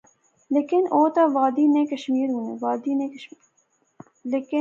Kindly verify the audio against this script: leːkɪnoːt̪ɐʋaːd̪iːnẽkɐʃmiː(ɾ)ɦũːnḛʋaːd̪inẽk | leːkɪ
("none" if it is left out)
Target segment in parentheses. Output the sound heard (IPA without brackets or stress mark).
ɾ